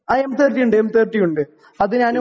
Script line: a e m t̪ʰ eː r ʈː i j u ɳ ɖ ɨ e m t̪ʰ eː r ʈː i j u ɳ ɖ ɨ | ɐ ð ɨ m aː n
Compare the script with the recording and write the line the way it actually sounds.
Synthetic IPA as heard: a e m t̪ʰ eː r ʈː i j u ɳ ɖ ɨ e m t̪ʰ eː r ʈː i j u ɳ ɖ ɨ | ɐ ð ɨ ɲ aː n